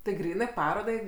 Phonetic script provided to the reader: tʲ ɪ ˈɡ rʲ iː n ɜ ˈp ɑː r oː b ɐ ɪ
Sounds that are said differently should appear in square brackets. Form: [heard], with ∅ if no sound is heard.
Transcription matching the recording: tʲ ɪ ˈɡ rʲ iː n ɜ ˈp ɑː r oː [d] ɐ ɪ